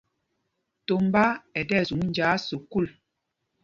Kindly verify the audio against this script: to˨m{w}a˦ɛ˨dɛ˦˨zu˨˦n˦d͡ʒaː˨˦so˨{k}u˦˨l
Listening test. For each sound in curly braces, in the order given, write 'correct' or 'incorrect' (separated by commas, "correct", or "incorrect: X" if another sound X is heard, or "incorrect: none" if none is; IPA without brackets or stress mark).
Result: incorrect: b, correct